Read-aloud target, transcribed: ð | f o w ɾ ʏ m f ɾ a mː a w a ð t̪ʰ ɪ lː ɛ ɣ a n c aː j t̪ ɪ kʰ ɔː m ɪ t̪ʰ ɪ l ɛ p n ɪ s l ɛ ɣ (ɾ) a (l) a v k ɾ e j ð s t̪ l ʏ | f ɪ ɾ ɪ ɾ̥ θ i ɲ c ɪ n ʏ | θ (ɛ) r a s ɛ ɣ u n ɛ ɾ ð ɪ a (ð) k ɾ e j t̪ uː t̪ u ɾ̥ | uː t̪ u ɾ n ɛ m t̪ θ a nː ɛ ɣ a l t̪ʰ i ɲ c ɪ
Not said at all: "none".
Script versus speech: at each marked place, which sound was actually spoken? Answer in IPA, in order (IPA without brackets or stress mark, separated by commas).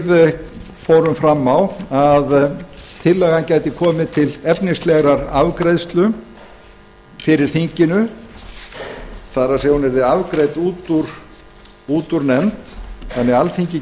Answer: ɾ, ɾ, a, v